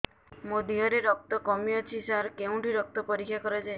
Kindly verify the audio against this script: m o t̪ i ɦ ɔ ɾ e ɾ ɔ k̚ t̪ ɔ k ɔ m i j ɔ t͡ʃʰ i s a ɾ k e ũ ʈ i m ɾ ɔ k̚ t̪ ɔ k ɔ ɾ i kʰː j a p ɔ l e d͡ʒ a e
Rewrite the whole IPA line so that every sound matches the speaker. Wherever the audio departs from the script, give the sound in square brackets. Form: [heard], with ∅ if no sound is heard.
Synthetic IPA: m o [d̪] i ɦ ɔ ɾ e ɾ ɔ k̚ t̪ ɔ k ɔ m i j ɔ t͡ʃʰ i s a ɾ k e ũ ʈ i [∅] ɾ ɔ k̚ t̪ ɔ [p] ɔ ɾ i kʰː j a [k] ɔ [ɾ] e d͡ʒ a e